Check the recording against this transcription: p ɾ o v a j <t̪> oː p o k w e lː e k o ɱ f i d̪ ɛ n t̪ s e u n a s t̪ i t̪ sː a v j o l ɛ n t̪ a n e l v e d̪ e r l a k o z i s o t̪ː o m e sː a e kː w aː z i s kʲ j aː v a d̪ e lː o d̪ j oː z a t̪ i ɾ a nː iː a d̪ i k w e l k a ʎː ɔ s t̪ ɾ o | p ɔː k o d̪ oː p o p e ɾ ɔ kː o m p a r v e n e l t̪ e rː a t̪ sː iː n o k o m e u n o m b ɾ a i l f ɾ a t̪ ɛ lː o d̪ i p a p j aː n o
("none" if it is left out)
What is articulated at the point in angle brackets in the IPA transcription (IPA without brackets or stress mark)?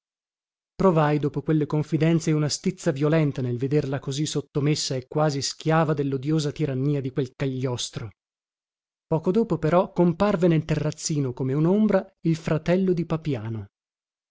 d̪